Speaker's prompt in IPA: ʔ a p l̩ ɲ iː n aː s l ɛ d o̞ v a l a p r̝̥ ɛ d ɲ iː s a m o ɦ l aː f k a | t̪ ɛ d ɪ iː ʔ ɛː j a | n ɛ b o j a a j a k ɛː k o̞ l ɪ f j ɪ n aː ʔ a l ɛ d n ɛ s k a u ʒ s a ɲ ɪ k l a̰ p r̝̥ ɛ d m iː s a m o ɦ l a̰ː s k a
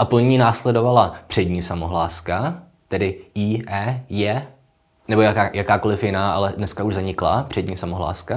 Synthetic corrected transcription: ʔ a p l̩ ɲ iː n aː s l ɛ d o̞ v a l a p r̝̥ ɛ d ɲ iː s a m o ɦ l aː s k a | t̪ ɛ d ɪ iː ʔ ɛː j ɛ | n ɛ b o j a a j a k aː k o̞ l ɪ f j ɪ n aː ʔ a l ɛ d n ɛ s k a u ʒ z a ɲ ɪ k l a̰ p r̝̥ ɛ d ɲ iː s a m o ɦ l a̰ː s k a